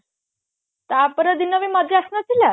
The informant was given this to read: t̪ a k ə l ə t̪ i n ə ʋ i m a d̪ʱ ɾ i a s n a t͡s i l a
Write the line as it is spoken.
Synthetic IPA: t̪ a p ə ɾ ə d̪ i n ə ʋ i m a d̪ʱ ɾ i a s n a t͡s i l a